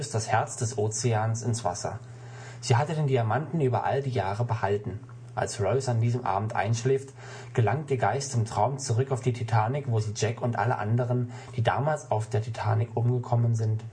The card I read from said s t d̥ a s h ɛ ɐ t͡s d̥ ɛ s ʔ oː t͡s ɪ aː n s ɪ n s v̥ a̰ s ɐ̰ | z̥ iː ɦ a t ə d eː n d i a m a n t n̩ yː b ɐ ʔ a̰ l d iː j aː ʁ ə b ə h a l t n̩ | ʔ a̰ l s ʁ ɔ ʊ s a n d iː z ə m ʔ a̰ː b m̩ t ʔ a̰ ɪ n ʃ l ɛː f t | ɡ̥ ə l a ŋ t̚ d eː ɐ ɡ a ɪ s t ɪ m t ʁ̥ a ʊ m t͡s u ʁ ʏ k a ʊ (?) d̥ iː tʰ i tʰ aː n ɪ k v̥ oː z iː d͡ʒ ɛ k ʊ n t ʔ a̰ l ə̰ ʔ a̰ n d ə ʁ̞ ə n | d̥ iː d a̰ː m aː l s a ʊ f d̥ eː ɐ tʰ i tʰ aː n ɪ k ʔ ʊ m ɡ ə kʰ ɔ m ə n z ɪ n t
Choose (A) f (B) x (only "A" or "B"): A